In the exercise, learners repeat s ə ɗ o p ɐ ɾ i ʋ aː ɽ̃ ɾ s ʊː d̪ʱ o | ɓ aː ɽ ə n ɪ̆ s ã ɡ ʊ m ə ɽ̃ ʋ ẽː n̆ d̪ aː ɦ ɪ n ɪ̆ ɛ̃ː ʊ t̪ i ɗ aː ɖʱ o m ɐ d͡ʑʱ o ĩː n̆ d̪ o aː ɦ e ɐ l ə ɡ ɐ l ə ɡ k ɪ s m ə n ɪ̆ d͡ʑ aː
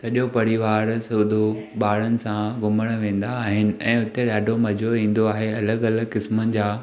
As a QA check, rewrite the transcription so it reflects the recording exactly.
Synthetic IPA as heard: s ɐ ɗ o p ɐ ɾ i ʋ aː ɾ s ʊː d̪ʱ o | ɓ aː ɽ ə n ɪ̆ s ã ɡ ʊ m ə ɽ̃ ʋ ẽː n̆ d̪ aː ɦ ɪ n ɪ̆ ɛ̃ː ʊ t̪ e ɗ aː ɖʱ o m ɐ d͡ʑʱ o ĩː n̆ d̪ o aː ɦ e ɐ l ə ɡ ɐ l ə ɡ k ɪ s m ə n ɪ̆ d͡ʑ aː